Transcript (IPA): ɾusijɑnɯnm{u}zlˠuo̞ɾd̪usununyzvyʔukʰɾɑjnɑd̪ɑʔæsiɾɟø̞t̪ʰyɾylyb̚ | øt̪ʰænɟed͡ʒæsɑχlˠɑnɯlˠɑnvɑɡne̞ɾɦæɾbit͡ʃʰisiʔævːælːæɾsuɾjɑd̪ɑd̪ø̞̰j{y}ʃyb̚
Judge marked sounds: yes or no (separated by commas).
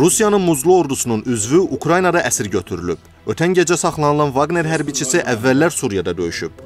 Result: yes, yes